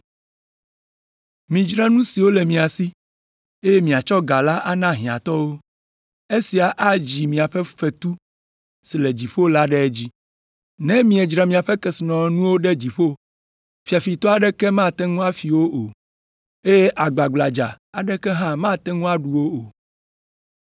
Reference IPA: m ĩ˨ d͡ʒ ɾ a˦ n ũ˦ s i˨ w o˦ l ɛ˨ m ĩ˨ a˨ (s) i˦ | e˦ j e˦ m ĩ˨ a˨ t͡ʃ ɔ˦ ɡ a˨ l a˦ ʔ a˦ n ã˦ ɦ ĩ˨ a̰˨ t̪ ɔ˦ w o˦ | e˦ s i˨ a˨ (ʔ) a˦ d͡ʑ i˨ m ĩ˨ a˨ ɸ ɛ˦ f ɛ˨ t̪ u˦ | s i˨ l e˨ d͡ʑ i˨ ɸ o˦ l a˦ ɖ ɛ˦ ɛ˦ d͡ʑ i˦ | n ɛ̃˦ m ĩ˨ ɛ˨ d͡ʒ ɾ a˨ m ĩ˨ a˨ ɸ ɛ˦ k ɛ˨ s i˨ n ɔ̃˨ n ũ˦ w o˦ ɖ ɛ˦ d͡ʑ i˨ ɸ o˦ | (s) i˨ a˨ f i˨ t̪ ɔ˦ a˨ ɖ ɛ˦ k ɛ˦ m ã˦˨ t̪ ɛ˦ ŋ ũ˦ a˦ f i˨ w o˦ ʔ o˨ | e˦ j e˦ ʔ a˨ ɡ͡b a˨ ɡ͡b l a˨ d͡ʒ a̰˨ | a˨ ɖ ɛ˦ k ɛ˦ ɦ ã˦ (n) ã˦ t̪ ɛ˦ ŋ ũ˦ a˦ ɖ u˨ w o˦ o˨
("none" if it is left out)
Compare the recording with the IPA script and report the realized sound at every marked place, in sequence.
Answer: s, ʔ, f, m

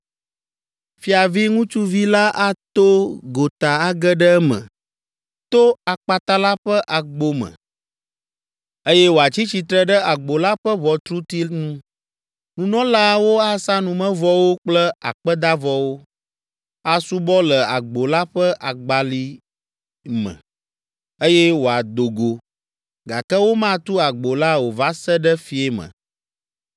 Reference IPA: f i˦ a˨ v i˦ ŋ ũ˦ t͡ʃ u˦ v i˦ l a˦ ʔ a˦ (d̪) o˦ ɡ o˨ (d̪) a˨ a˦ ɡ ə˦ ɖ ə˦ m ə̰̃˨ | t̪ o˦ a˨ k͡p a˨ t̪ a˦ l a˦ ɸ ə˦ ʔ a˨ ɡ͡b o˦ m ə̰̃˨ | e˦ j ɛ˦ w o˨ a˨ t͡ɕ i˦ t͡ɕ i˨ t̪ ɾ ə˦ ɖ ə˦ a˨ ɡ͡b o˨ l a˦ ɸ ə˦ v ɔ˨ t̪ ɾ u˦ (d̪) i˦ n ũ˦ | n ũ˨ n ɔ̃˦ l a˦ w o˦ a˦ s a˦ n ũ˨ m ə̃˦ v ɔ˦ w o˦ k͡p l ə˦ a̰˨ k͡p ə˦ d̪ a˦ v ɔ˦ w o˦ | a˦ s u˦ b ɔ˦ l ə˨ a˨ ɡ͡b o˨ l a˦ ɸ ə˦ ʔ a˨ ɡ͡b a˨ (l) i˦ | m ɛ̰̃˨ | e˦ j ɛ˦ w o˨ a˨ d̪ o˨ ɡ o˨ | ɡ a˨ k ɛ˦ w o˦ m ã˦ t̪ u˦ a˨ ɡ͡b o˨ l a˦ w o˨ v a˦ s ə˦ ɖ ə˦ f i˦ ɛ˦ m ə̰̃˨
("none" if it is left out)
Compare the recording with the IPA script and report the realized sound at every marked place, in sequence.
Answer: t̪, t̪, t̪, l

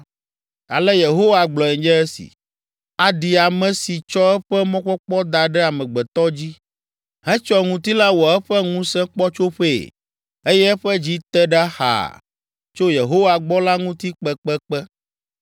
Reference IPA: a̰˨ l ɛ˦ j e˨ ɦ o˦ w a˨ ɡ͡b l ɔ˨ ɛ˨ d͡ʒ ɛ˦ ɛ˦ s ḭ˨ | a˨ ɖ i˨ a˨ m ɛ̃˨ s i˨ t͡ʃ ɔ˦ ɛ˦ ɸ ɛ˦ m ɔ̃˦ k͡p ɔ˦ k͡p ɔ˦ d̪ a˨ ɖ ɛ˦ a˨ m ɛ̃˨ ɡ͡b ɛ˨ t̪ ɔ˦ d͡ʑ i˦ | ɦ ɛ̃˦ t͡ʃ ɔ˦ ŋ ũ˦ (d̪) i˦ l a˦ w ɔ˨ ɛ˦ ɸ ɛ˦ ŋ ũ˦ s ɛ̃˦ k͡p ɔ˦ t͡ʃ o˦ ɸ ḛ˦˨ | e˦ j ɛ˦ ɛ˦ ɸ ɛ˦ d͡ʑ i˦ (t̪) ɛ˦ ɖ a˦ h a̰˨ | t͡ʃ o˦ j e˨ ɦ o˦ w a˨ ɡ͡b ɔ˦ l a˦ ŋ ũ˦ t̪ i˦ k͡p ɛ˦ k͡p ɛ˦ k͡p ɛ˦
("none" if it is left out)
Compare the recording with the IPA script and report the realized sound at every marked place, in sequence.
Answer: t̪, t̪

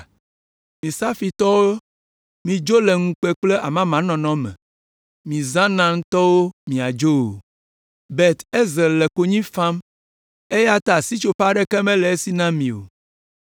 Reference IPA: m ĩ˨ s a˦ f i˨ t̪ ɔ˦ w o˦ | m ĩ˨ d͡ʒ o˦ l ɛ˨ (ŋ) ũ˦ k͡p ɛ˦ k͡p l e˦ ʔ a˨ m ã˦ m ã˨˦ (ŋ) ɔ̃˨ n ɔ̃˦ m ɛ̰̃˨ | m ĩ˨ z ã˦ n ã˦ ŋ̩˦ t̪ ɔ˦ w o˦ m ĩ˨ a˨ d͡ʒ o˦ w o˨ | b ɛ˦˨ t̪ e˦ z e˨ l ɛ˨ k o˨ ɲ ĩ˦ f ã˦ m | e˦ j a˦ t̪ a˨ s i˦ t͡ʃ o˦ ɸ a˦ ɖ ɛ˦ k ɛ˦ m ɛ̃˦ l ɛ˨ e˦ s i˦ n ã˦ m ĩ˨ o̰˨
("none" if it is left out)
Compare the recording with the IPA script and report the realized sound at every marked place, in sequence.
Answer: ŋ, n

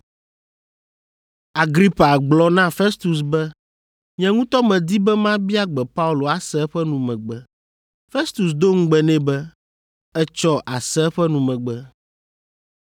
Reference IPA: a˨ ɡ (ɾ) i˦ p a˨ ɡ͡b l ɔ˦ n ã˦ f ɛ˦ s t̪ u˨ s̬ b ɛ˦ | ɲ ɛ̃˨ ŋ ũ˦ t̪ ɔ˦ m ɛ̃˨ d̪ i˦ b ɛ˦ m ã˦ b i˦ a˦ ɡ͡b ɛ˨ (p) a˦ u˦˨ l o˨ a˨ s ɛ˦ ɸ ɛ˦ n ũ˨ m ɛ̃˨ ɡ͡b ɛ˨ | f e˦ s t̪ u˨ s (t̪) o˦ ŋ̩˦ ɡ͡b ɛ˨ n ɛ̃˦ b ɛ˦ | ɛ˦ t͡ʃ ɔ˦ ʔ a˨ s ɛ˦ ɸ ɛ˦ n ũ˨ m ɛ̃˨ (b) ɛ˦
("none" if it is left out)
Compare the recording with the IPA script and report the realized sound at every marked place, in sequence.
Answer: ɾ, p, d̪, ɡ͡b

